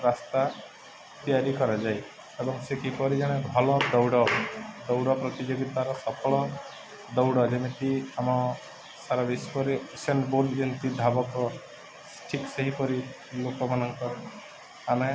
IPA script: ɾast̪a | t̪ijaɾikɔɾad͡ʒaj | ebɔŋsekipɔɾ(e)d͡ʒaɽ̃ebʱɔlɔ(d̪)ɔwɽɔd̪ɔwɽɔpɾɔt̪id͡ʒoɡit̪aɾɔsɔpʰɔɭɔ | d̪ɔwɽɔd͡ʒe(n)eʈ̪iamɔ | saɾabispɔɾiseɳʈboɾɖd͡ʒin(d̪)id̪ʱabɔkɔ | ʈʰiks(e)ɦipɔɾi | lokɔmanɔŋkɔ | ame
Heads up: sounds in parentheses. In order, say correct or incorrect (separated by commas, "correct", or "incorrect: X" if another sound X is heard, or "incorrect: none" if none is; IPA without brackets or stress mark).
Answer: incorrect: i, correct, incorrect: m, incorrect: t̪, correct